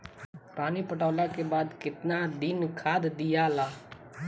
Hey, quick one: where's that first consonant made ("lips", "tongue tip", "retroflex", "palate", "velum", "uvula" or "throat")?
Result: lips